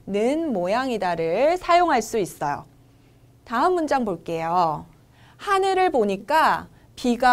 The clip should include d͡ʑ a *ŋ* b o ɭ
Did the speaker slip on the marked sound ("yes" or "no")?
no